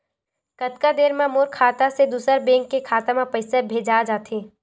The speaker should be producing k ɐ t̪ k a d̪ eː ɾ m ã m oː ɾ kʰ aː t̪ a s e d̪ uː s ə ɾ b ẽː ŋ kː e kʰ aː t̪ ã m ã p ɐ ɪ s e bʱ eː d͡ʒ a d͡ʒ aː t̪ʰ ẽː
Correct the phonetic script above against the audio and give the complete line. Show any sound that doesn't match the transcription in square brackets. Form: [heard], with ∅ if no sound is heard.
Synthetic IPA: k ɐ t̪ k a d̪ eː ɾ m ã m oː ɾ kʰ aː t̪ a s e d̪ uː s ə ɾ b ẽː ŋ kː e kʰ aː t̪ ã m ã p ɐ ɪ s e bʱ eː d͡ʒ a d͡ʒ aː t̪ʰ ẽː

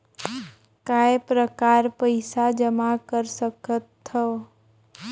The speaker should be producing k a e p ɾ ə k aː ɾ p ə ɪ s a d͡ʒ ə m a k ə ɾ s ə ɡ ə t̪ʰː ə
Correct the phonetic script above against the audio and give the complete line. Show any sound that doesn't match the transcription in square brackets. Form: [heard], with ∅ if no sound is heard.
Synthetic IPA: k a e p ɾ ə k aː ɾ p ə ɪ s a d͡ʒ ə m a k ə ɾ s ə [k] ə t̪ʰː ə

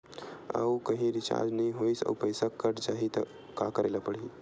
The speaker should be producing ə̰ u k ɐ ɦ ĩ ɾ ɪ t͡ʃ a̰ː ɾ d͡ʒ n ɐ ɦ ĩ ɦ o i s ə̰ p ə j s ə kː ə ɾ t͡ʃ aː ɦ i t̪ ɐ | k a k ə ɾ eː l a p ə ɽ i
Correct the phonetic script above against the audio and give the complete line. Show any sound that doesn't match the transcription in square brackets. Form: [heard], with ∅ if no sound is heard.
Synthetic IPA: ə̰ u k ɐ ɦ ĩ ɾ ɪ t͡ʃ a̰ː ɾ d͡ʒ n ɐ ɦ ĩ ɦ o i s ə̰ p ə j s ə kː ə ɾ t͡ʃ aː ɦ i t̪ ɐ | k a k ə ɾ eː l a p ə ɽ i

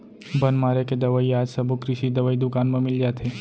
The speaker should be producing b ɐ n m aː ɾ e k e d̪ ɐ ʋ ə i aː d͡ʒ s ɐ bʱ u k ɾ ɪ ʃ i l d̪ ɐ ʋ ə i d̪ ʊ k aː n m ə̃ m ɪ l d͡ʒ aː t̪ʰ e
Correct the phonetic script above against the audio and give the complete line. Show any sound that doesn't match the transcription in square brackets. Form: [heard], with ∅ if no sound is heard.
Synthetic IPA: b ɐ n m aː ɾ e k e d̪ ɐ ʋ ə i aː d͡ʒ s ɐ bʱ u k ɾ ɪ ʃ i [∅] d̪ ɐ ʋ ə i d̪ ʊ k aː n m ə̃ m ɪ l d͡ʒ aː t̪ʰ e

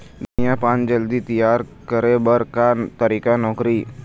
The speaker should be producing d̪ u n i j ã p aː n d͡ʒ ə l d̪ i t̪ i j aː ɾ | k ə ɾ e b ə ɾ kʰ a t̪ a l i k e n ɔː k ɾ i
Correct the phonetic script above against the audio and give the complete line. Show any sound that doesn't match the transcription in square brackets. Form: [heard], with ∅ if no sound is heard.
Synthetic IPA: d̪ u n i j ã p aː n d͡ʒ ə l d̪ i t̪ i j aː ɾ | k ə ɾ e b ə ɾ [k] a t̪ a [ɾ] i k [a] n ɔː k ɾ i

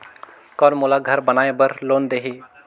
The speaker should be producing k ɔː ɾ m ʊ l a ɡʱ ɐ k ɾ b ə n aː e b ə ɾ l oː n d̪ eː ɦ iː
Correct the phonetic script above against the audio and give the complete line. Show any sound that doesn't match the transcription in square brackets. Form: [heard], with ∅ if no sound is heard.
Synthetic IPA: k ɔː ɾ m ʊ l a ɡʱ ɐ [∅] ɾ b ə n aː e b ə ɾ l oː n d̪ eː ɦ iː

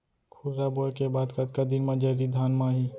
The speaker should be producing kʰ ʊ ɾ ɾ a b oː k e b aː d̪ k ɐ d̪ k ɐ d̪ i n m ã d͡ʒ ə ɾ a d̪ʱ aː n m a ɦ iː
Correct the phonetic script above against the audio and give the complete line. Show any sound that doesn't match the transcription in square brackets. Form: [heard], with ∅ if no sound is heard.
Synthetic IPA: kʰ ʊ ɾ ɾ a b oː k e b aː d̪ k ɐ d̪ k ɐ d̪ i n m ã d͡ʒ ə ɾ [i] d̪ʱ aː n m a ɦ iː

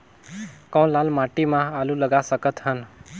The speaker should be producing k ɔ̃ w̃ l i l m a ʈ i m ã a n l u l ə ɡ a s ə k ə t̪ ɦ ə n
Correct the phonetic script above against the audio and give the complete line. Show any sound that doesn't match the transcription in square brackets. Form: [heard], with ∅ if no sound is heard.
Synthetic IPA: k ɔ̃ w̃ l [a] l m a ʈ i m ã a [∅] l u l ə ɡ a s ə k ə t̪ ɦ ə n

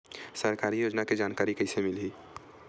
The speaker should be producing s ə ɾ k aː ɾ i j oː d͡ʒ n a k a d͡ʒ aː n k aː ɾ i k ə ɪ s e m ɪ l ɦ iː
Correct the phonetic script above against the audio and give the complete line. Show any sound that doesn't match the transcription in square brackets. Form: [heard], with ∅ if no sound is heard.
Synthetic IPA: s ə ɾ k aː ɾ i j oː d͡ʒ n a k [e] d͡ʒ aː n k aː ɾ i k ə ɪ s e m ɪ l ɦ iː

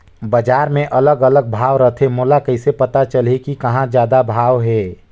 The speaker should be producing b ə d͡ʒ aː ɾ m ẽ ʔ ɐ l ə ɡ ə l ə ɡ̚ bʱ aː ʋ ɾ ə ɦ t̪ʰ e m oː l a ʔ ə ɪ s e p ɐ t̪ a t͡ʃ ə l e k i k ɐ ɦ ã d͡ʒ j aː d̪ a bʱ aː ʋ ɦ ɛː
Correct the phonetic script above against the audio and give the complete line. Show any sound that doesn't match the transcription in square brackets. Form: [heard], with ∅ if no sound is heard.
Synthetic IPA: b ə d͡ʒ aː ɾ m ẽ ʔ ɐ l ə ɡ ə l ə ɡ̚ bʱ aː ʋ ɾ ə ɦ t̪ʰ e m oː l a [k] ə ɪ s e p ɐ t̪ a t͡ʃ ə l e k i k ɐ ɦ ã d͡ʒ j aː d̪ a bʱ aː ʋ ɦ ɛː

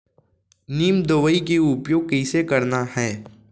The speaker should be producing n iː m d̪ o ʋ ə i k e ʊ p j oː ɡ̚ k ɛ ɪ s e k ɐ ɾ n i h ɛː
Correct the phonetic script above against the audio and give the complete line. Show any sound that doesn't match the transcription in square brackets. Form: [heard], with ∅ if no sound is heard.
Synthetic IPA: n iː m d̪ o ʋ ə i k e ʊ p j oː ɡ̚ k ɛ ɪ s e k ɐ ɾ n [a] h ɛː

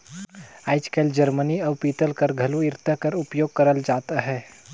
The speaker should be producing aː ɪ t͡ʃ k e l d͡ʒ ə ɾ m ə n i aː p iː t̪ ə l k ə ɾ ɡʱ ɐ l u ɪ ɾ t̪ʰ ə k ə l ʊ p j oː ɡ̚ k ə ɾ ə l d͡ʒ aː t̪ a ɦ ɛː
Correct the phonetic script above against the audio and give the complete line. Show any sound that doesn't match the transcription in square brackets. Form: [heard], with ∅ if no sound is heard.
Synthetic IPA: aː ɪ t͡ʃ k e l d͡ʒ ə ɾ m ə n i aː p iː t̪ ə l k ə ɾ ɡʱ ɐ l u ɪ ɾ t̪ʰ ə k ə [ɾ] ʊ p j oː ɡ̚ k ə ɾ ə l d͡ʒ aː t̪ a ɦ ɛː

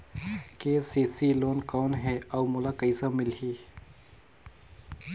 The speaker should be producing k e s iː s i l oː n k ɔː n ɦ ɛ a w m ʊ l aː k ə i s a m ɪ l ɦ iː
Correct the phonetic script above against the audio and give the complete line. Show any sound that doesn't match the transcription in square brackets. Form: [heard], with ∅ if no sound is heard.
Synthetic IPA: k e s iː s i l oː n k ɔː n ɦ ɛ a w m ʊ l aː k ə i s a m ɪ l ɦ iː

